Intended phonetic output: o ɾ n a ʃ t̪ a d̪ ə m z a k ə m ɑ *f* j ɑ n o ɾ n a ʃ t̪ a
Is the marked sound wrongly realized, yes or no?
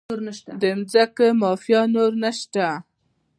no